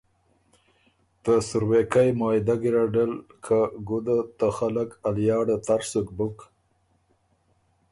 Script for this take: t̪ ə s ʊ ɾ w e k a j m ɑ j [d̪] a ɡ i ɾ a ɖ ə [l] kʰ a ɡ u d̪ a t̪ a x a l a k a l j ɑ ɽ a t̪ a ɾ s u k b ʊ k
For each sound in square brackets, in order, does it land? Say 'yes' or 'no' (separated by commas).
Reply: yes, yes